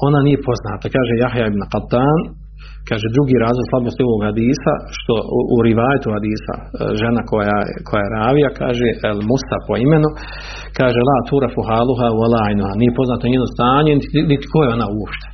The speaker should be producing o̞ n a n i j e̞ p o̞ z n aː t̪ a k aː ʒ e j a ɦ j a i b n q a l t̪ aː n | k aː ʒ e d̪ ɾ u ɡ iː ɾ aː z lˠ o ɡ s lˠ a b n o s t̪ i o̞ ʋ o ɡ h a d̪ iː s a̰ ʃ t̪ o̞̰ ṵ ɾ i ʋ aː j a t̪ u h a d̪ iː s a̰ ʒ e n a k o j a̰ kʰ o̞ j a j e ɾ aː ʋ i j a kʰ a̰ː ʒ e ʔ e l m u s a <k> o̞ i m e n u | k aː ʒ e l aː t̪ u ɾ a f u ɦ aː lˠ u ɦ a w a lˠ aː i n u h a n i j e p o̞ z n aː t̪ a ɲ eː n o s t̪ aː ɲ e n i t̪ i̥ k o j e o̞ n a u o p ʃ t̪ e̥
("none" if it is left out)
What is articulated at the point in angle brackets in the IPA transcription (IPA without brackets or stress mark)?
p